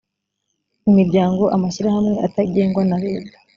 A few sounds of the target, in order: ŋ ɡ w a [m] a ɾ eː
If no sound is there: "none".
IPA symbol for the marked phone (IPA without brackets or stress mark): n